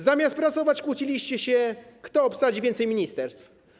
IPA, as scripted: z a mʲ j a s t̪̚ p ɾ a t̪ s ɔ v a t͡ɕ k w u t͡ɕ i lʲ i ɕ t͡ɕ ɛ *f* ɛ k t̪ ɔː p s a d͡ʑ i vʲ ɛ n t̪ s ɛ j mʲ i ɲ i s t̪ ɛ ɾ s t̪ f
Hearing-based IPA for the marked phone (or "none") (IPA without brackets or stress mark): ɕ